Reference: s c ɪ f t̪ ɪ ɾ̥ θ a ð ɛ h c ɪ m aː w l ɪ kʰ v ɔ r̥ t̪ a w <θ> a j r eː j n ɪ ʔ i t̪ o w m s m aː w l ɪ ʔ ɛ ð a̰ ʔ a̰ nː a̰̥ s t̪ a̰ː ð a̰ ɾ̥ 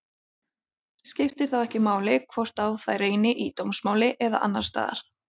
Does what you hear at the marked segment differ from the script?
no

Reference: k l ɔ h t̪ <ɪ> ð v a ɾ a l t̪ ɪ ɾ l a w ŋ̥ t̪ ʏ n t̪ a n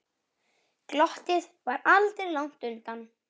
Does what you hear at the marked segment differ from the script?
no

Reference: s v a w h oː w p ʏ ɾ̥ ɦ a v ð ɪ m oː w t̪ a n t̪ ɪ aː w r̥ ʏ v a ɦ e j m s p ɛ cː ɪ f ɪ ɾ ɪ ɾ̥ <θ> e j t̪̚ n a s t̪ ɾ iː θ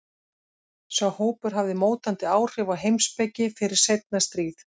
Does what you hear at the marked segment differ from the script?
yes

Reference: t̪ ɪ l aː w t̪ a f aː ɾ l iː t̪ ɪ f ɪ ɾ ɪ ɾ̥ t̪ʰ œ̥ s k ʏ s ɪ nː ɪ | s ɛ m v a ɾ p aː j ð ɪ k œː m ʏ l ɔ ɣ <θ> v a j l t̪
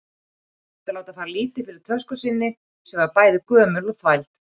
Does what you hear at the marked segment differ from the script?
no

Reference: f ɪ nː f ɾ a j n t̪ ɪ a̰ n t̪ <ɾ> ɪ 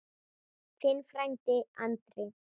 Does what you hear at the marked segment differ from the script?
no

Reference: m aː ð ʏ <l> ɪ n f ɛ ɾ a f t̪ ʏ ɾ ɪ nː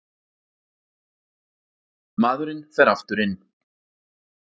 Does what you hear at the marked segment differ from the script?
yes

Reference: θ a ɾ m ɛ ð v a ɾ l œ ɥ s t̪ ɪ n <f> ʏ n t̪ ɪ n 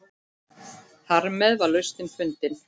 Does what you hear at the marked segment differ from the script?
no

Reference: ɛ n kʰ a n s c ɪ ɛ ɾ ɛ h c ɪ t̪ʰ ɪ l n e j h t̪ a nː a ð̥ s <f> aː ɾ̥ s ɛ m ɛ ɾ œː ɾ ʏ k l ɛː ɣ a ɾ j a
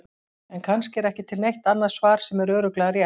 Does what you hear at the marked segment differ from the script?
yes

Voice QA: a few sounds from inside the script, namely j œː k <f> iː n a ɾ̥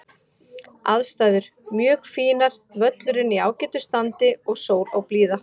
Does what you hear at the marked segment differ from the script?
no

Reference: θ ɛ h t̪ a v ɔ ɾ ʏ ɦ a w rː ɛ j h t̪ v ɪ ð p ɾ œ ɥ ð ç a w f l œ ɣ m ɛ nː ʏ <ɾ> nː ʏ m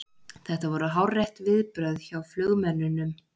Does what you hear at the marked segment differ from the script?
yes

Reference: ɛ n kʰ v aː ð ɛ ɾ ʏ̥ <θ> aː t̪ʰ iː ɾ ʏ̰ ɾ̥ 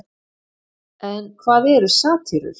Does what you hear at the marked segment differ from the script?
yes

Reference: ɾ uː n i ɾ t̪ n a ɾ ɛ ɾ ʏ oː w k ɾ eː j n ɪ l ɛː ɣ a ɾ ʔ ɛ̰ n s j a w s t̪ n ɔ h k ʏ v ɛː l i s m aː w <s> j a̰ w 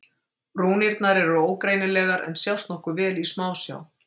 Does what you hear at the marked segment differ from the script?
no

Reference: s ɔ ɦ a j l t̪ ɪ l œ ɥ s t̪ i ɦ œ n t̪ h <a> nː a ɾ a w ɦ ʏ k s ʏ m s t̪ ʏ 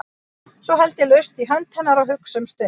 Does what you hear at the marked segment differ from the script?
yes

